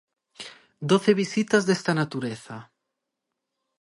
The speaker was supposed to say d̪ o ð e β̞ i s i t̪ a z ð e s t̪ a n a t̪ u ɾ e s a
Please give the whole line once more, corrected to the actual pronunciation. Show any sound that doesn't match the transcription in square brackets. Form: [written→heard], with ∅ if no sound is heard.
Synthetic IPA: d̪ o [ð→θ] e β̞ i s i t̪ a z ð e s t̪ a n a t̪ u ɾ e [s→θ] a